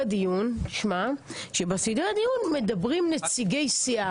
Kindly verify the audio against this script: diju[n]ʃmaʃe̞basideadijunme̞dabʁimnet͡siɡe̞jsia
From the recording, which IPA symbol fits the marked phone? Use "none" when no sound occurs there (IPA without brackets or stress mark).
n